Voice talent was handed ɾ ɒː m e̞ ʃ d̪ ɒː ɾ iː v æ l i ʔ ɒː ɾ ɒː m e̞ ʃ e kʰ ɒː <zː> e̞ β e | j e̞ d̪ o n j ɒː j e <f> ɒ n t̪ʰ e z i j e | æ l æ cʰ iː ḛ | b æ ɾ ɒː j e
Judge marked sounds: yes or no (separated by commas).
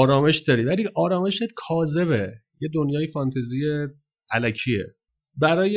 no, yes